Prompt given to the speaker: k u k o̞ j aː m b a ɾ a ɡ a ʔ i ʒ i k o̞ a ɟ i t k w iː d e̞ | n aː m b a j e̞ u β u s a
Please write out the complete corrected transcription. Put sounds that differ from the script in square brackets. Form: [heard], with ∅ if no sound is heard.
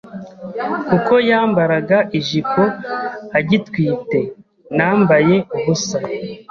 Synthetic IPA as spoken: k u k o̞ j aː m b a ɾ a ɡ a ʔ i ʒ i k o̞ a ɟ i t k w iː [t] e̞ | n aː m b a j e̞ u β u s a